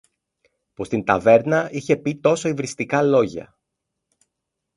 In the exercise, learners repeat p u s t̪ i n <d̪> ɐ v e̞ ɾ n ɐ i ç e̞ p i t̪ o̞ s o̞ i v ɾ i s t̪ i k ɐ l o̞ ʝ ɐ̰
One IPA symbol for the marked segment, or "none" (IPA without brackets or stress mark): t̪